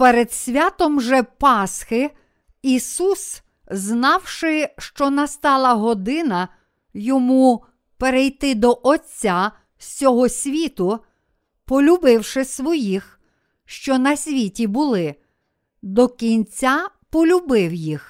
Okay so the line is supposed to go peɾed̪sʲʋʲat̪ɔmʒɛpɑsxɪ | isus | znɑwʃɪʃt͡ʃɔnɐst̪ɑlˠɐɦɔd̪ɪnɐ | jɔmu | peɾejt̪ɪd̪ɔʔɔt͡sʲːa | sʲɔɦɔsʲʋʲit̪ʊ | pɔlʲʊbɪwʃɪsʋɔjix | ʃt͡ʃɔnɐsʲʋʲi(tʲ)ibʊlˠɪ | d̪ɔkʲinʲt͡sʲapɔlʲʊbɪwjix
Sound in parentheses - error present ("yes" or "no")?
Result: no